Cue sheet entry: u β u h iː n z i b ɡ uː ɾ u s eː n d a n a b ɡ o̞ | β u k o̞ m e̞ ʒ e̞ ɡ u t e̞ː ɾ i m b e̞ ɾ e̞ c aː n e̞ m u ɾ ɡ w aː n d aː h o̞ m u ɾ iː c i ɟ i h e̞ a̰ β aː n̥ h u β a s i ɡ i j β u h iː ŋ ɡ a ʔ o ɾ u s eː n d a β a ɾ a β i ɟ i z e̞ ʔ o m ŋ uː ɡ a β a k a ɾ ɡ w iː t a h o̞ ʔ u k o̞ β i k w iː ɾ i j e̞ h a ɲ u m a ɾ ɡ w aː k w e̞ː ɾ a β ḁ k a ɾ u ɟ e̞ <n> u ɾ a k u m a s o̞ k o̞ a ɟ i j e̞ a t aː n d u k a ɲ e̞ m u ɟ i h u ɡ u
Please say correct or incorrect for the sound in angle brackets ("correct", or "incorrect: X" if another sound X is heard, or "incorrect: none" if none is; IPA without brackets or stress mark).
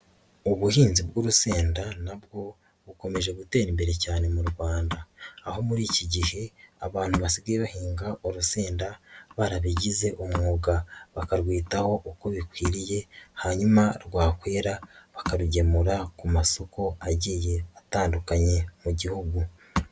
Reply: incorrect: m